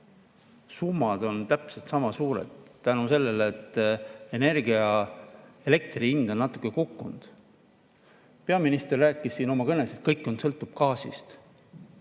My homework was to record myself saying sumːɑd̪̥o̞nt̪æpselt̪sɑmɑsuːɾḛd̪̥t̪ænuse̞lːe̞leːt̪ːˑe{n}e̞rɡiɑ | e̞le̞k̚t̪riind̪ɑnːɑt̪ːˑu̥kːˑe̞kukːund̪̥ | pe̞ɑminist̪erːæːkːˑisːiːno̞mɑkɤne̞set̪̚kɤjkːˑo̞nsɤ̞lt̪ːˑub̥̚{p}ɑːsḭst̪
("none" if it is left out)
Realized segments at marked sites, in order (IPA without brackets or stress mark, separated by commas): n, k